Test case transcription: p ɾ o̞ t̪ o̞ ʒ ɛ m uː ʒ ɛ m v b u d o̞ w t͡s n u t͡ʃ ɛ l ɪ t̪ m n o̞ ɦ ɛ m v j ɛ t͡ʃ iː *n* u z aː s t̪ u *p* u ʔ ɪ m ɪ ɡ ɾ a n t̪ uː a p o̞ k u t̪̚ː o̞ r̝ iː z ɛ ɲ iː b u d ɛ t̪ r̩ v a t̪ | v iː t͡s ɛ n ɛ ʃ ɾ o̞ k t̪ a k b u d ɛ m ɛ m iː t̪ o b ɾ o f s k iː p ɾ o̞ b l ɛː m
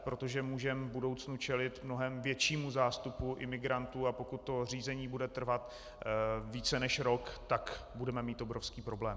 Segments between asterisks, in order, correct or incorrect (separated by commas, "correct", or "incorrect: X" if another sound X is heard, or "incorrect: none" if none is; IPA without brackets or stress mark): incorrect: m, correct